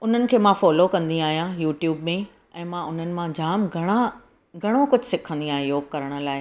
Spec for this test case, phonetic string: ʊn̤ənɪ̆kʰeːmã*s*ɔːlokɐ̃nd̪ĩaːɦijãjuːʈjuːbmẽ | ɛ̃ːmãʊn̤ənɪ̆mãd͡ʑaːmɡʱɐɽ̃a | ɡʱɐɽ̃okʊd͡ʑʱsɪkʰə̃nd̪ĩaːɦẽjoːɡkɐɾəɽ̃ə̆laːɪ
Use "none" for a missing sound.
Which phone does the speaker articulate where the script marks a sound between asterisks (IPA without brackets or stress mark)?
f